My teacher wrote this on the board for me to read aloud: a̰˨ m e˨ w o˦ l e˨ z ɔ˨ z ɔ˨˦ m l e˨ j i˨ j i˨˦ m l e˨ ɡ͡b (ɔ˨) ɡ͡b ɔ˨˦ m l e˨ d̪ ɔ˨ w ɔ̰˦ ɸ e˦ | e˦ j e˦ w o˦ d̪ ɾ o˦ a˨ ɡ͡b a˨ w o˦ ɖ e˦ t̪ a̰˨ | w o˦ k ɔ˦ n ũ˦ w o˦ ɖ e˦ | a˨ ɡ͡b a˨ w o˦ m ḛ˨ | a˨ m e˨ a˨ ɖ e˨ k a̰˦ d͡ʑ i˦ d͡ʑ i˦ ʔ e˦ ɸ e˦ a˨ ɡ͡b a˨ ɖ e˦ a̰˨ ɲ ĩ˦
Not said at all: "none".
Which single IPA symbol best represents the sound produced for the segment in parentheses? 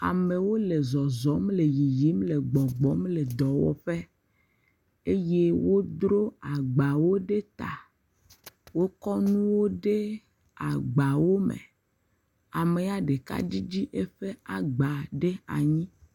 ɔ˨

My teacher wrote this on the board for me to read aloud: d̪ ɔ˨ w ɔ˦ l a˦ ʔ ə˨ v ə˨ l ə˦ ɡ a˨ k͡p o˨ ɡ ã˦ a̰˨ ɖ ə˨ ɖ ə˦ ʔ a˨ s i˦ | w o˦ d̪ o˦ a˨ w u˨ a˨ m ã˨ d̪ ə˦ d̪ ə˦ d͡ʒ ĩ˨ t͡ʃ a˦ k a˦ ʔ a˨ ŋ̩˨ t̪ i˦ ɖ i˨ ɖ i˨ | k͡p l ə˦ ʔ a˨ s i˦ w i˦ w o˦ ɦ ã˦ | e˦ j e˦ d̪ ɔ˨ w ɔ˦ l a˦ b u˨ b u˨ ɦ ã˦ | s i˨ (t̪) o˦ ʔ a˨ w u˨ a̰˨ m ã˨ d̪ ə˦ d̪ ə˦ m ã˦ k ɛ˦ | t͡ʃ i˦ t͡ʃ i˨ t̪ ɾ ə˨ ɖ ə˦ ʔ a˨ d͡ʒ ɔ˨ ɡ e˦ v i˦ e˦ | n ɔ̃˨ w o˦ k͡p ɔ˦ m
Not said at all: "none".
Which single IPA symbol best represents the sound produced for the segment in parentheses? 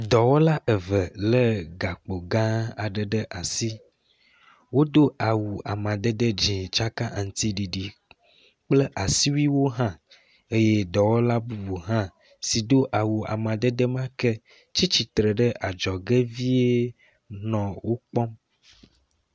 d̪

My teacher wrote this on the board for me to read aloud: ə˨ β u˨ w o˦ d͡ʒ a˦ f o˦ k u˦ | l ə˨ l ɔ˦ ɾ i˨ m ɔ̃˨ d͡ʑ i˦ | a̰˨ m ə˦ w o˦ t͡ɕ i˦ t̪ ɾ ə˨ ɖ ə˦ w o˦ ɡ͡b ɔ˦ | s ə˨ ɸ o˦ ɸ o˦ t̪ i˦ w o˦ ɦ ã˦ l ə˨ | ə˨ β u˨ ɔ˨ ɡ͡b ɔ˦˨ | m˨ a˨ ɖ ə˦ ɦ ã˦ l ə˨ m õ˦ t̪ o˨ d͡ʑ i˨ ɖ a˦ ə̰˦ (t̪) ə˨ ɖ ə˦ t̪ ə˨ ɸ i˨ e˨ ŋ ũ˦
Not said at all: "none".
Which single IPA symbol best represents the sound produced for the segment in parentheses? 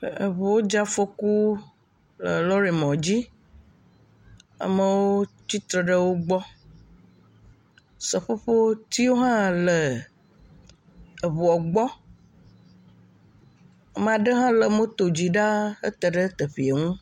t̪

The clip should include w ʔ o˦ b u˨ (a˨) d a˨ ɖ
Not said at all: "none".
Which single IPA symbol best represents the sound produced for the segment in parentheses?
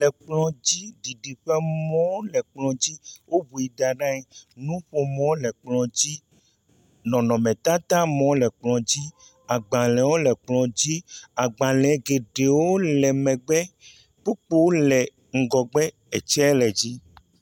i˨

